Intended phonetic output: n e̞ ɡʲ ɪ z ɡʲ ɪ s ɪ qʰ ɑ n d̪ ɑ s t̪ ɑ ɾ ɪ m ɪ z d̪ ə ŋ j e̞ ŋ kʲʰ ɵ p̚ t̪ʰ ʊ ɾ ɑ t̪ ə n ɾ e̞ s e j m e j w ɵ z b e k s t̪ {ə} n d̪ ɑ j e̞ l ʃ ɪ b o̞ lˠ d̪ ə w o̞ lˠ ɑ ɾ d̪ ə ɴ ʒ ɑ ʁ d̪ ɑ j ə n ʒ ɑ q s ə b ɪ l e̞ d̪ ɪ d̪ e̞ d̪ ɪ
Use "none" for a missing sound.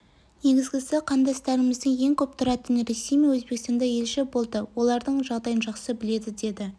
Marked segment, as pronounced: ɑ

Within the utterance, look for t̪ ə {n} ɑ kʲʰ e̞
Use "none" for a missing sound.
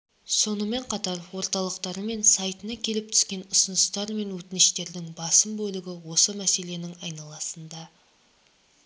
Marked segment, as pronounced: n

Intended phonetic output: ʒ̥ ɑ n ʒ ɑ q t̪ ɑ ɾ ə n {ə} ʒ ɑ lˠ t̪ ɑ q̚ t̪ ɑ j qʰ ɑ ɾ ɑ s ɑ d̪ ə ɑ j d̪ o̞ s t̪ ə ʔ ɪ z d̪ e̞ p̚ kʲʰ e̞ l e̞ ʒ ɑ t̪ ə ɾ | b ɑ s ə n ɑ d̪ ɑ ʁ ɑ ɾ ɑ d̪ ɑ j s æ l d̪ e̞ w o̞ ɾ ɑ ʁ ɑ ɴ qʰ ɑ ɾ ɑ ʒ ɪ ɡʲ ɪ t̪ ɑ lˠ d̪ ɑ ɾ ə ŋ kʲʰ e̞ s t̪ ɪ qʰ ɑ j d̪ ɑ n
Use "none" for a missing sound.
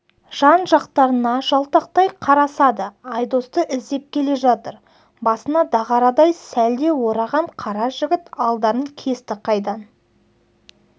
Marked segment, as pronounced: ɑ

